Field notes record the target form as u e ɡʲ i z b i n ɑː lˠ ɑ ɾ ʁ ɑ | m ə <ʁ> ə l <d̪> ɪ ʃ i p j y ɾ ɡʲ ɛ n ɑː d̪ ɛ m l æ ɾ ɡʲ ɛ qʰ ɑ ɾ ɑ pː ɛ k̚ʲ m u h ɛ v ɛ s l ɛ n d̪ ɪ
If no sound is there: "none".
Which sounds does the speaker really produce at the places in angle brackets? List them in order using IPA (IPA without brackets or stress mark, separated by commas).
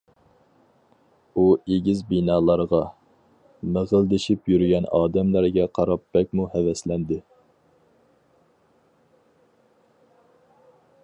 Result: ʁ, d̪